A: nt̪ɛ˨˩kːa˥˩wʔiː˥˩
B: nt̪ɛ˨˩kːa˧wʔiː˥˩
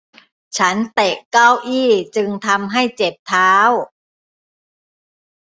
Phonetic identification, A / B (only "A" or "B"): A